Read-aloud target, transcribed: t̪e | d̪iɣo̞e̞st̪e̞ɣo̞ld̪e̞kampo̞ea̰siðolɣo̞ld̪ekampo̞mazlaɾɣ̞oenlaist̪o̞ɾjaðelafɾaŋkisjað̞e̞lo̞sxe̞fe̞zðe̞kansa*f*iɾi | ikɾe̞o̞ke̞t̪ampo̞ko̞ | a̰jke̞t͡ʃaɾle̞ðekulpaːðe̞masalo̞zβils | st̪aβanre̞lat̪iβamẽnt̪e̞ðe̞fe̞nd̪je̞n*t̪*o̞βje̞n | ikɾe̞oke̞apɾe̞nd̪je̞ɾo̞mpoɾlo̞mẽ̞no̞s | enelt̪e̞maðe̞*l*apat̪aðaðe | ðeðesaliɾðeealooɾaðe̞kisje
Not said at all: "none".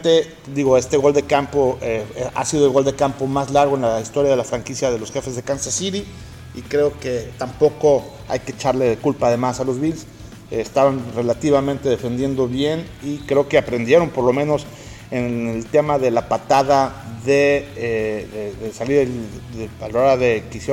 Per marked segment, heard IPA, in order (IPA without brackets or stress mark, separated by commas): s, d̪, l